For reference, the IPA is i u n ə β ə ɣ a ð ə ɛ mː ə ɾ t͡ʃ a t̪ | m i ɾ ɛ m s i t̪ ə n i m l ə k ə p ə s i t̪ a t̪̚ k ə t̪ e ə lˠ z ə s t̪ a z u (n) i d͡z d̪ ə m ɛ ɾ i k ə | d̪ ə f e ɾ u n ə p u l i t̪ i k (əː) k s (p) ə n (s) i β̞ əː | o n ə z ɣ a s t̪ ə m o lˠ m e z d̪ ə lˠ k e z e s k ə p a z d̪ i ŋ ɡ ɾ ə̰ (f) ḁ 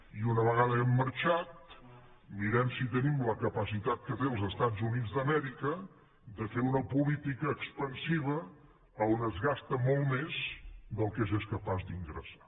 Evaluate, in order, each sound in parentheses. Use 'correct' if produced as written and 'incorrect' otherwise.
correct, correct, correct, correct, incorrect

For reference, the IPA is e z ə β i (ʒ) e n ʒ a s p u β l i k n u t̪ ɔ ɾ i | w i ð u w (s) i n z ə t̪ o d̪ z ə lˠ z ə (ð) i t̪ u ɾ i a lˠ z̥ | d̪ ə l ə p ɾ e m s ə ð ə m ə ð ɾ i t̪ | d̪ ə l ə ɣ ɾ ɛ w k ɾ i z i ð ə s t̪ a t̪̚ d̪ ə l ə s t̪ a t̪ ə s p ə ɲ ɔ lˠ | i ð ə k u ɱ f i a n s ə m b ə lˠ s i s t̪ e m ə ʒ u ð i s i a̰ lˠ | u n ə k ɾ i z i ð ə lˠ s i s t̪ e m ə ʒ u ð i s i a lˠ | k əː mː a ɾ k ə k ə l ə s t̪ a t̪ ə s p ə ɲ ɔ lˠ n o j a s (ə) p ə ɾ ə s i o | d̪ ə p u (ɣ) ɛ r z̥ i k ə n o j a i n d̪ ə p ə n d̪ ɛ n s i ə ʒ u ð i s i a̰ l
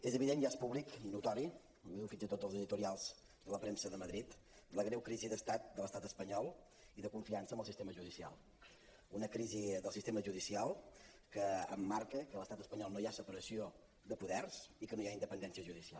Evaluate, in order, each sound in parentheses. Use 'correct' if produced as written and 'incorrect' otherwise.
incorrect, incorrect, correct, correct, incorrect

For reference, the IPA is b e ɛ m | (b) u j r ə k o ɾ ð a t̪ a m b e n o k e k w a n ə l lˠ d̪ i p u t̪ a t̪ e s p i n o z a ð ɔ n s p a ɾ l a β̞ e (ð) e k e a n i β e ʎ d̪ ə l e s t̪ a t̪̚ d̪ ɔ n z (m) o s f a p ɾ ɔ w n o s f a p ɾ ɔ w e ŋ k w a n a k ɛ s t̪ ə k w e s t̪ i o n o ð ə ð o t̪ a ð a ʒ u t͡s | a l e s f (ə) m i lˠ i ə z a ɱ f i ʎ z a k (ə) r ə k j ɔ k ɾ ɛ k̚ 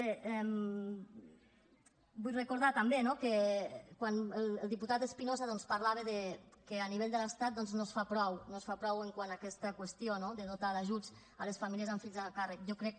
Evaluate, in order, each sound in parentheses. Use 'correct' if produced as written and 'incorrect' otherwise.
correct, correct, incorrect, incorrect, incorrect

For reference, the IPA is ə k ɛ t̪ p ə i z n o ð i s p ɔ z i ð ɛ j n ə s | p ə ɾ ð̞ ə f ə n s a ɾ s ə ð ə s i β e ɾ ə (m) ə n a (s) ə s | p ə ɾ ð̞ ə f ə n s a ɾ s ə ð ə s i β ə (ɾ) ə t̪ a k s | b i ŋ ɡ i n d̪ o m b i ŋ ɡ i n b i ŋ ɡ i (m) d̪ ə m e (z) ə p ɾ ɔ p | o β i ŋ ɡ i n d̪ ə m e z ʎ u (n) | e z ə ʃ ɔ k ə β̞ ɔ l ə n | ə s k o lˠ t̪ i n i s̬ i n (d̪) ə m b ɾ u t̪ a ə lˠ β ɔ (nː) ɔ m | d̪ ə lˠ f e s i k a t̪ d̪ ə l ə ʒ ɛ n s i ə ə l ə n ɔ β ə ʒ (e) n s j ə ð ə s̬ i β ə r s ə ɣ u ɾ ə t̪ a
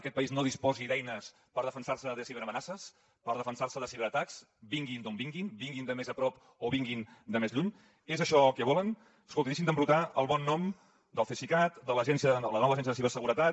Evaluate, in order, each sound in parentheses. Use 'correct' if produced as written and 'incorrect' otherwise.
correct, correct, correct, incorrect, correct, incorrect, correct, correct, incorrect

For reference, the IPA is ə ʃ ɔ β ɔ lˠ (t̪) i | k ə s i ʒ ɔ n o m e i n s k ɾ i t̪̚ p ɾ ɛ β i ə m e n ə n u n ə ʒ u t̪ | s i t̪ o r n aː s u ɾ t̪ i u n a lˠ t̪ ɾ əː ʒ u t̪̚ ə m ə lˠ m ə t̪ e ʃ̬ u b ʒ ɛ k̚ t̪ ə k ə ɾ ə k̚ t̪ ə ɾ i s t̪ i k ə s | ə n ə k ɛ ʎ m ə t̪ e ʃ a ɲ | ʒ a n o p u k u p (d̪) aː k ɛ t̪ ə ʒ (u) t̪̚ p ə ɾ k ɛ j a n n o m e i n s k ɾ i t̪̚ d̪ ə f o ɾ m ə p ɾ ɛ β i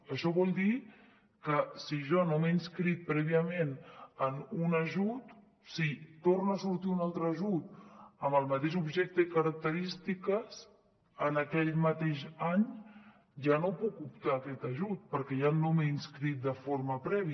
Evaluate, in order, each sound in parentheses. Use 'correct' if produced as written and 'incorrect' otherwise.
incorrect, incorrect, correct

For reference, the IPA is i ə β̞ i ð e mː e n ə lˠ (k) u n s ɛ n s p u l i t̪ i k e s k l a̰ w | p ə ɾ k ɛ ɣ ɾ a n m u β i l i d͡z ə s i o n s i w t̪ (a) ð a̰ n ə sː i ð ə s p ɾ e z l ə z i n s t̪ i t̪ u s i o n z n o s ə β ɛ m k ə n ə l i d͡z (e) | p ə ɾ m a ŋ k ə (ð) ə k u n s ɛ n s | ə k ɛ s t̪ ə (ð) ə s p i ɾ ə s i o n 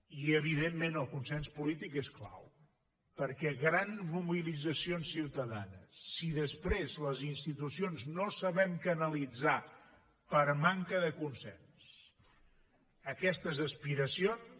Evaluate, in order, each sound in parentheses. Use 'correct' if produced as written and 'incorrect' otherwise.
correct, incorrect, incorrect, correct, incorrect

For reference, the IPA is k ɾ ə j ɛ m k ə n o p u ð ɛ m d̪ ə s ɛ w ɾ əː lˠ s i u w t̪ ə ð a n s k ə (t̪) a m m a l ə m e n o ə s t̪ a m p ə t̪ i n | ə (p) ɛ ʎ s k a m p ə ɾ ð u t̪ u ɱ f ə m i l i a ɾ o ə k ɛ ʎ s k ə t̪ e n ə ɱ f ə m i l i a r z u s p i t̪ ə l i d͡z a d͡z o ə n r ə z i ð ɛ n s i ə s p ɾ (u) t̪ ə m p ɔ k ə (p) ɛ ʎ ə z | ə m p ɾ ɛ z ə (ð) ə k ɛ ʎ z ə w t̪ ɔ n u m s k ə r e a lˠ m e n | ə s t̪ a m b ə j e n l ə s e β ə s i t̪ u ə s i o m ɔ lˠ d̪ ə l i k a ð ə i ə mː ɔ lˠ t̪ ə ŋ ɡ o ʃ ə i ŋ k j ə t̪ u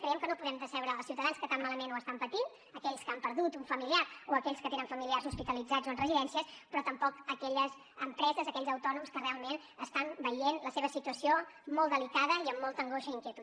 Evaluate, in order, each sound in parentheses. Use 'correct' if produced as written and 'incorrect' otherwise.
correct, incorrect, incorrect, incorrect, incorrect

